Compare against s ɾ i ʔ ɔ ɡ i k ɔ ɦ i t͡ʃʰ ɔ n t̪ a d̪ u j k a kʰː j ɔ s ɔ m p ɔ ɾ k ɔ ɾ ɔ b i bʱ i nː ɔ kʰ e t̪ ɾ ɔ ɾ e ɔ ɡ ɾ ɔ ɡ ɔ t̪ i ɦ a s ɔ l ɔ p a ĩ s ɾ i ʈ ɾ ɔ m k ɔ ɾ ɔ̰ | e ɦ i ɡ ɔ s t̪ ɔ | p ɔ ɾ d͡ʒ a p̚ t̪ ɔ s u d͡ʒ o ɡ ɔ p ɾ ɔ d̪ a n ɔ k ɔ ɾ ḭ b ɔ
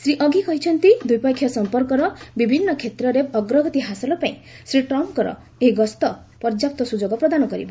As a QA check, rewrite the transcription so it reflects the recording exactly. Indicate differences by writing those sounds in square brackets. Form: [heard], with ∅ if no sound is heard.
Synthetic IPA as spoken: s ɾ i ʔ ɔ ɡ i k ɔ ɦ i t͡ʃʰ ɔ n t̪ [i] d̪ u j [p] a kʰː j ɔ s ɔ m p ɔ ɾ k ɔ ɾ ɔ b i bʱ i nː ɔ kʰ e t̪ ɾ ɔ ɾ e ɔ ɡ ɾ ɔ ɡ ɔ t̪ i ɦ a s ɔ l ɔ p a ĩ s ɾ i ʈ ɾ ɔ m k ɔ ɾ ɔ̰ | e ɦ i ɡ ɔ s t̪ ɔ | p ɔ ɾ d͡ʒ a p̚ t̪ ɔ s u d͡ʒ o ɡ ɔ p ɾ ɔ d̪ a n ɔ k ɔ ɾ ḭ b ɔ